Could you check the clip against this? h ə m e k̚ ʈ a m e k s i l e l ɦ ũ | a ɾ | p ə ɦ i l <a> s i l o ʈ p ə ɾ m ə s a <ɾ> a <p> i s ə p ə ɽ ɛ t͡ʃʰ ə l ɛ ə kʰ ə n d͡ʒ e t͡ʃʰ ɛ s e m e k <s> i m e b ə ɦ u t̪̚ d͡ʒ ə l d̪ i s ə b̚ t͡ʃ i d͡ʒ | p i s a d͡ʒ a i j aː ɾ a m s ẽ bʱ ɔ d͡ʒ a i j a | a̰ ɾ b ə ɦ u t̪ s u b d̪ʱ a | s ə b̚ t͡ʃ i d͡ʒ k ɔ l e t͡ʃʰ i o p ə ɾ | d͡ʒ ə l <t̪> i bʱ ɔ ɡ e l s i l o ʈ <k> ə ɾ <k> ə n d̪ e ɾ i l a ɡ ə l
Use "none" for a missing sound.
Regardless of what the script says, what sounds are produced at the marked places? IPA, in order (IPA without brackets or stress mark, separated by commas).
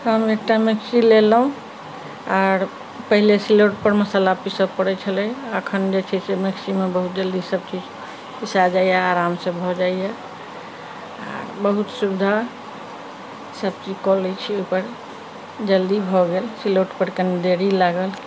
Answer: e, l, p, s, d̪, p, k